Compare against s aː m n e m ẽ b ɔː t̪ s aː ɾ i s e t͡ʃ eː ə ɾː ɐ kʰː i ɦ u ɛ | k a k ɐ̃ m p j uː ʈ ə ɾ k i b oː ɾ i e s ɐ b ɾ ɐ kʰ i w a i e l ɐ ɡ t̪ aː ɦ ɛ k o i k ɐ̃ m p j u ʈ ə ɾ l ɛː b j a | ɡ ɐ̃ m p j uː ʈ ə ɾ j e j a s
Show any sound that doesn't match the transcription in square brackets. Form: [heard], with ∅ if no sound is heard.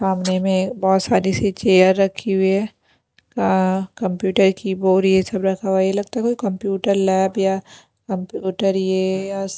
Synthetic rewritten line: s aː m n e m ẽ b ɔː t̪ s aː ɾ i s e t͡ʃ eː ə ɾː ɐ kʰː i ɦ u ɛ | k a k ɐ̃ m p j uː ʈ ə ɾ k i b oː ɾ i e s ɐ b ɾ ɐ kʰ [a] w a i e l ɐ ɡ t̪ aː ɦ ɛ k o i k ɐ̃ m p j [uː] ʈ ə ɾ l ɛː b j a | [k] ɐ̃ m p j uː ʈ ə ɾ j e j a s

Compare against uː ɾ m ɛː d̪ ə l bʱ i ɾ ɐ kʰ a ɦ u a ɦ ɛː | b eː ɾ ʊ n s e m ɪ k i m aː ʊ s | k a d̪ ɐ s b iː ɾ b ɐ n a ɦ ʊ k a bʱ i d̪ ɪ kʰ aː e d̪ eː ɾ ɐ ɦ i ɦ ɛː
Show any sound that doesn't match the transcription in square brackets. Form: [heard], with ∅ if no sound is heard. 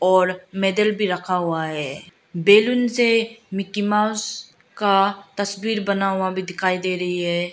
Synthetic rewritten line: [ɔː] ɾ m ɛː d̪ ə l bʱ i ɾ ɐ kʰ a ɦ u a ɦ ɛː | b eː [l] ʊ n s e m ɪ k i m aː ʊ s | k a [t̪] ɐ s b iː ɾ b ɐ n a ɦ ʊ [∅] a bʱ i d̪ ɪ kʰ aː [i] d̪ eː ɾ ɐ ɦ i ɦ ɛː

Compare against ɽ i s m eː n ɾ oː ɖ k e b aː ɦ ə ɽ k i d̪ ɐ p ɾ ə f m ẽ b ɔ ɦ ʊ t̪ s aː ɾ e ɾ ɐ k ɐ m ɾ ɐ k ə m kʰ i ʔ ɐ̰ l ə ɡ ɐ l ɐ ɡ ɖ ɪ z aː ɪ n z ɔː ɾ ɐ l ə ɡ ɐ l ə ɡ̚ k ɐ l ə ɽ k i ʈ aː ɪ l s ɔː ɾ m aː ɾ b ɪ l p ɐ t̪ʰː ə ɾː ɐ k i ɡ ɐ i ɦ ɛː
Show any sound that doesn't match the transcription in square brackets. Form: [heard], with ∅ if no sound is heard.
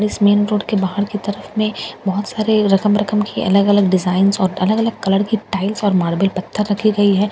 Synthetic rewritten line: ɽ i s m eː n ɾ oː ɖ k e b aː ɦ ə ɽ k i [t̪] ɐ [∅] ɾ ə f m ẽ b ɔ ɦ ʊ t̪ s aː ɾ e ɾ ɐ k [ə] m ɾ ɐ k ə m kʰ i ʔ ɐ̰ l ə ɡ ɐ l [ə] ɡ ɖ ɪ z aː ɪ n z ɔː ɾ ɐ l ə ɡ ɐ l ə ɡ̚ k ɐ l ə ɽ k i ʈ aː ɪ l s ɔː ɾ m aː ɾ b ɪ l p ɐ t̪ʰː ə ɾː ɐ [kʰ] i ɡ ɐ i ɦ ɛː

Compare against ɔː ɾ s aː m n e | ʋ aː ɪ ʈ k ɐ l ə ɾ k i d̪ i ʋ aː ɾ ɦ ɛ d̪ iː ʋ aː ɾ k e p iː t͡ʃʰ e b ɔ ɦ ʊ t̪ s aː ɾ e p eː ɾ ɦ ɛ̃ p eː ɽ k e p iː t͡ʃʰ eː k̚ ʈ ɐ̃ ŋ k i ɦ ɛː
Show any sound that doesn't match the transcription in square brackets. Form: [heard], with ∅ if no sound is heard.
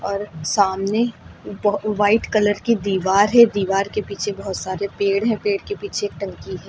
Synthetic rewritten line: ɔː ɾ s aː m n e | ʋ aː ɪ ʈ k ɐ l ə ɾ k i d̪ [iː] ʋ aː ɾ ɦ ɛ d̪ iː ʋ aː ɾ k e p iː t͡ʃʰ e b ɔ ɦ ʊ t̪ s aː ɾ e p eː [ɽ] ɦ ɛ̃ p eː ɽ k e p iː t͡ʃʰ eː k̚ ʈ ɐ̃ ŋ k i ɦ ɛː

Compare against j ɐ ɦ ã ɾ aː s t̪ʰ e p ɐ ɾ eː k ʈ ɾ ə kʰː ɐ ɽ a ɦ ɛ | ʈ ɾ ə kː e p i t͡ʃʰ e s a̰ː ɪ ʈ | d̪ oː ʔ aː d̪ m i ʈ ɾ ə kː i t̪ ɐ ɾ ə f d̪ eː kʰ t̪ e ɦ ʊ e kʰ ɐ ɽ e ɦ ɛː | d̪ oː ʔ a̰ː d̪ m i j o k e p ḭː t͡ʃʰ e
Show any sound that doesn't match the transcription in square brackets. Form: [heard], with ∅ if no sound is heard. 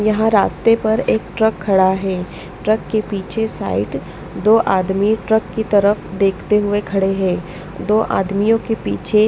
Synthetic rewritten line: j ɐ ɦ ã ɾ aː s [t̪] e p ɐ ɾ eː k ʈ ɾ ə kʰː ɐ ɽ a ɦ [ɛː] | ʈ ɾ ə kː e p [iː] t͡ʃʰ e s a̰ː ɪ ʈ | d̪ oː ʔ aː d̪ m i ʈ ɾ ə kː i t̪ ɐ ɾ ə f d̪ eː kʰ t̪ e ɦ ʊ e kʰ ɐ ɽ e ɦ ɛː | d̪ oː ʔ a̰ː d̪ m i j [õ] k e p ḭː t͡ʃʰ e

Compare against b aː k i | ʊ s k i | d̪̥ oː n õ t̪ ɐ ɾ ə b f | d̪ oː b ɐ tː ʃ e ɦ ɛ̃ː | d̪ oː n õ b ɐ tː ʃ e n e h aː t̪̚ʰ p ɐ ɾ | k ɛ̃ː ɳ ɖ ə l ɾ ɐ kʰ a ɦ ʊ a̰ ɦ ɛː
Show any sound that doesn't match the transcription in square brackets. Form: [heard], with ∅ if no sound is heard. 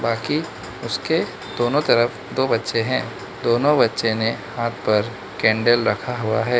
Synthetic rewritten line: b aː k i | ʊ s k [e] | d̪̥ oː n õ t̪ ɐ ɾ ə [∅] f | d̪ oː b ɐ tː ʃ e ɦ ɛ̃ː | d̪ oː n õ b ɐ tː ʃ e n e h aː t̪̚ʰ p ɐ ɾ | k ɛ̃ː ɳ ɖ ə l ɾ ɐ kʰ a ɦ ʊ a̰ ɦ ɛː

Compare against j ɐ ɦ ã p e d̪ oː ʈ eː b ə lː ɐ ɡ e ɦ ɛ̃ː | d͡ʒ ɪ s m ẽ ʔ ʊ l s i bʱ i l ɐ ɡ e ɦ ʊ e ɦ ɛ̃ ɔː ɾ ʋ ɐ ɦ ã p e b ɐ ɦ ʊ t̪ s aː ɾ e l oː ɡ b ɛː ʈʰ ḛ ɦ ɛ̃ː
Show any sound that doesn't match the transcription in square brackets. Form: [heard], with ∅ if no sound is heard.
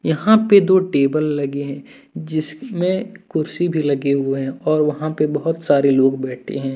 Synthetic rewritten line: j ɐ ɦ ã p e d̪ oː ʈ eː b ə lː ɐ ɡ e ɦ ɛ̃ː | d͡ʒ ɪ s m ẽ [k] ʊ [ɾ] s i bʱ i l ɐ ɡ e ɦ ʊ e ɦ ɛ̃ ɔː ɾ ʋ ɐ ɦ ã p e b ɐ ɦ ʊ t̪ s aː ɾ e l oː ɡ b ɛː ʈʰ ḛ ɦ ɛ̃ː

